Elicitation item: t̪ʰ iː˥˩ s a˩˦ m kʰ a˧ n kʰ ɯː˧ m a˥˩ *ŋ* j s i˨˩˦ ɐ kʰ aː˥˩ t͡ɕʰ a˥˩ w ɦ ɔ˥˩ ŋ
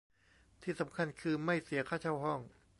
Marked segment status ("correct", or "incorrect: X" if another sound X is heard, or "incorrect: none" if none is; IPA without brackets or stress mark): incorrect: none